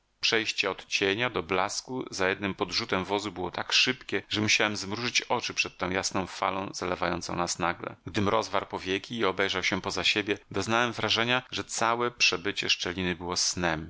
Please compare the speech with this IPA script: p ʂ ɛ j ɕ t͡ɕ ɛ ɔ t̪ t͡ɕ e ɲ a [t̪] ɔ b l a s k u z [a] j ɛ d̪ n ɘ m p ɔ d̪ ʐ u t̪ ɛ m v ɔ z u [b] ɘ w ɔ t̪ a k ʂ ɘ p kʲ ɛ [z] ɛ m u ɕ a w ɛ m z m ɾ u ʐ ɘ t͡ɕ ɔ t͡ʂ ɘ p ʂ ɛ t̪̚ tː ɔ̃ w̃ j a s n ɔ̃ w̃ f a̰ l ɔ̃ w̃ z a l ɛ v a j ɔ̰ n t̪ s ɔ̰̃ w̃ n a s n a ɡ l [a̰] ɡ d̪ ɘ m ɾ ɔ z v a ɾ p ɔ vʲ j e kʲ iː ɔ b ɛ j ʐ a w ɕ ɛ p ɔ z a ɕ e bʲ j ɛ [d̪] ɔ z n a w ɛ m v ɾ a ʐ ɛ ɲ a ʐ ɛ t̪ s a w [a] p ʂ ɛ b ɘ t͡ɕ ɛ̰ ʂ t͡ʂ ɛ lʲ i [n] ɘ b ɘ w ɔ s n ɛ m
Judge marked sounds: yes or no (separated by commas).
no, yes, yes, no, no, yes, no, yes